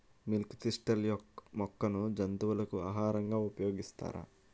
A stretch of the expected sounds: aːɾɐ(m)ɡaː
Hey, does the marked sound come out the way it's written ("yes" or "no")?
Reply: no